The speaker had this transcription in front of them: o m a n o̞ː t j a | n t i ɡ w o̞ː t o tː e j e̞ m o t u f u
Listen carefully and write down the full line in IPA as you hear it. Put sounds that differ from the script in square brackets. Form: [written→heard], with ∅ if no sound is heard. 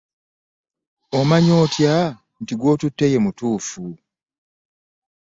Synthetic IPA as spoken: o m a [n→ɲ] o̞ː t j a | n t i ɡ w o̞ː t [o→u] tː e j e̞ m [o→u] t [u→uː] f u